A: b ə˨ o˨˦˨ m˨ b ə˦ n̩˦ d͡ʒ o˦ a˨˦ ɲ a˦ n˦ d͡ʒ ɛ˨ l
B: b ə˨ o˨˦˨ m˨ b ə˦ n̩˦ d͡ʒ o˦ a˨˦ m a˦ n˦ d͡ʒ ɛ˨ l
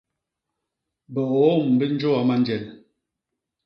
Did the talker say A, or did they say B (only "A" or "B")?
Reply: B